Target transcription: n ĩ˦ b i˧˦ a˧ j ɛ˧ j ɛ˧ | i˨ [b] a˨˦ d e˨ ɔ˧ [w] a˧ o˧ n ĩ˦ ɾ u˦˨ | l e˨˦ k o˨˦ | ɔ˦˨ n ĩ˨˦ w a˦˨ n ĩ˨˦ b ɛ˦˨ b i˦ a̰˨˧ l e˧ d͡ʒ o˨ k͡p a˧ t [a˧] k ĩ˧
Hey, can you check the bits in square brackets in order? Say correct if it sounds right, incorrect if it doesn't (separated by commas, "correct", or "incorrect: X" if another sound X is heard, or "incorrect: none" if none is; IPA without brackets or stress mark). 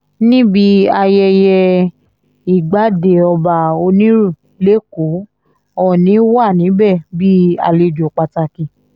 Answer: incorrect: ɡ͡b, incorrect: b, correct